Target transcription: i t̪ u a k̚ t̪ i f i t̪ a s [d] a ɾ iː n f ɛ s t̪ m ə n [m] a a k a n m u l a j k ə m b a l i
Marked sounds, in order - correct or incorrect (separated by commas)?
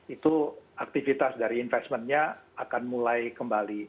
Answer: correct, incorrect